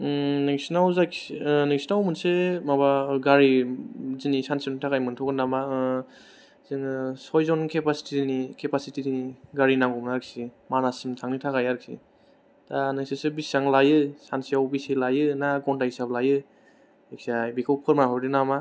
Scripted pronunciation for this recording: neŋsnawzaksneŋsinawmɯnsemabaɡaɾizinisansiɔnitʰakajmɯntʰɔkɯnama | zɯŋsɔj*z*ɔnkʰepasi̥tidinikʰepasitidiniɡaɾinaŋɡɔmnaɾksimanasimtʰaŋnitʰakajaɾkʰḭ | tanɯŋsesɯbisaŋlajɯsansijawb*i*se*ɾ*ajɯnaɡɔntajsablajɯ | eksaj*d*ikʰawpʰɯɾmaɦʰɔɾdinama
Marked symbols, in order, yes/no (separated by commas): yes, yes, no, no